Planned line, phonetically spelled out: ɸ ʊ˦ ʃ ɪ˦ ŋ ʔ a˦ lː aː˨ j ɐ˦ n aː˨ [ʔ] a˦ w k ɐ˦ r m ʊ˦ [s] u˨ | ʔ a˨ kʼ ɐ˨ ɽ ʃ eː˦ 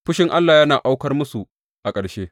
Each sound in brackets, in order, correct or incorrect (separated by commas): correct, correct